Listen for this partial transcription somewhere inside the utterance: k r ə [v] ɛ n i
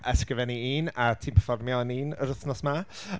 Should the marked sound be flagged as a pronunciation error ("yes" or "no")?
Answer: no